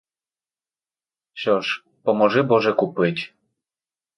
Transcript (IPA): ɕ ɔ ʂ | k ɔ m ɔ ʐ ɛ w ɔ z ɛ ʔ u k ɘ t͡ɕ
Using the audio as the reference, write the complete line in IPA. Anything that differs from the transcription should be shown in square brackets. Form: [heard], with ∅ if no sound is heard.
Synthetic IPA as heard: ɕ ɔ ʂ | [p] ɔ m ɔ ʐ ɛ [b] ɔ [ʐ] ɛ [k] u [p] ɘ t͡ɕ